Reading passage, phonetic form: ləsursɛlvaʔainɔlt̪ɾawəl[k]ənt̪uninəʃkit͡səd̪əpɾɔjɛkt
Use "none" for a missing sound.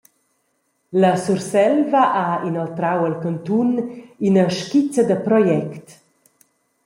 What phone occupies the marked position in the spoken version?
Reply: k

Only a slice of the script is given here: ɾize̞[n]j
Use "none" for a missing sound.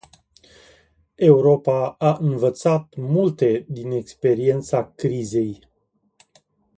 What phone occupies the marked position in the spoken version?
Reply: none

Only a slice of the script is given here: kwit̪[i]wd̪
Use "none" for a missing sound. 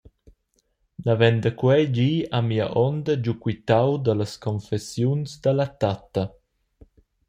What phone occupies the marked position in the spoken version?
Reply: a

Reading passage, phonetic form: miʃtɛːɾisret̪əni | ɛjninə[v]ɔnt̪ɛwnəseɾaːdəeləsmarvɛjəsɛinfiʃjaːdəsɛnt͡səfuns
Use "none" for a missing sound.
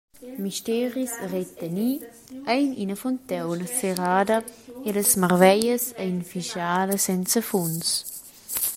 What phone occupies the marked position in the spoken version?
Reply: f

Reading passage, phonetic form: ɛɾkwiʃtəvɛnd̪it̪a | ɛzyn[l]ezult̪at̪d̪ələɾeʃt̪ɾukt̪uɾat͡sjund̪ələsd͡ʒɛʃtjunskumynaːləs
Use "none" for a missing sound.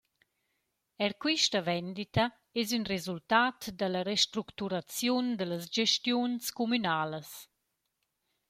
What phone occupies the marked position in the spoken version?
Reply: r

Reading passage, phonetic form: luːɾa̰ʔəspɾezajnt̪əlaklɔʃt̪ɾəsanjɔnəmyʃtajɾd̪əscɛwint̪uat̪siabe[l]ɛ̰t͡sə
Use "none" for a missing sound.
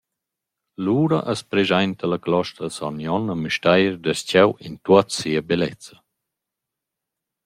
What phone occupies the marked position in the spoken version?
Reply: l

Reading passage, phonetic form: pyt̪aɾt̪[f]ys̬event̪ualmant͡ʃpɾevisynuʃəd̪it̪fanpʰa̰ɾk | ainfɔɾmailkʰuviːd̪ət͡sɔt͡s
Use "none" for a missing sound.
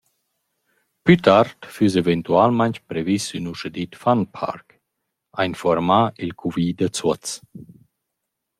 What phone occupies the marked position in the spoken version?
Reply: f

